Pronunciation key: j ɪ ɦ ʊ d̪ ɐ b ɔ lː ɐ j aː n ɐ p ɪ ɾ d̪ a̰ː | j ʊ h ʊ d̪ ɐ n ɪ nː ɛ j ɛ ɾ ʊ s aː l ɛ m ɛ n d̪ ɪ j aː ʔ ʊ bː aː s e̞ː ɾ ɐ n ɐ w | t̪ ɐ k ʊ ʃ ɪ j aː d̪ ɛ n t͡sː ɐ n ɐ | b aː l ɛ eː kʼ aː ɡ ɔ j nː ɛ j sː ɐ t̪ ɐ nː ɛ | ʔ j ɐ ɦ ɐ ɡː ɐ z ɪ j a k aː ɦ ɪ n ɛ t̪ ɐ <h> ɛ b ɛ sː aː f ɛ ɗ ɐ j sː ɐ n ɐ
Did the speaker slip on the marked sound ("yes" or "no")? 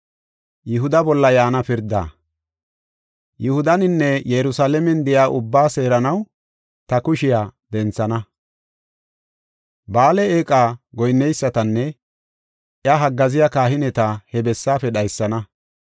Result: no